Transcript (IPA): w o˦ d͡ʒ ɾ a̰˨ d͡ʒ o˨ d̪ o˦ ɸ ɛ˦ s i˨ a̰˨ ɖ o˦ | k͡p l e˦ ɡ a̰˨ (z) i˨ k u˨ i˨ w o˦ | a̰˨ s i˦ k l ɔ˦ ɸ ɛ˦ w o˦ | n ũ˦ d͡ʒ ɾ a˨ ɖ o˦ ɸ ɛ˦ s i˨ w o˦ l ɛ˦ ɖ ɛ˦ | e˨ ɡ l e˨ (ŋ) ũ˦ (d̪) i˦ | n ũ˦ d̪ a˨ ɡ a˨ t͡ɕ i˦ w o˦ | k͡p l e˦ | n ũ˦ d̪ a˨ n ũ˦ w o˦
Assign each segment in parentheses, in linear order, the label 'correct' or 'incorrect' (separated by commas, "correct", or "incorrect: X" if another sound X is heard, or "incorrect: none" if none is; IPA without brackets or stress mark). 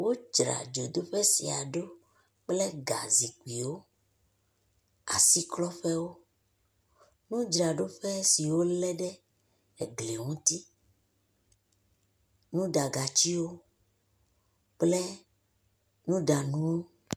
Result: correct, correct, incorrect: t̪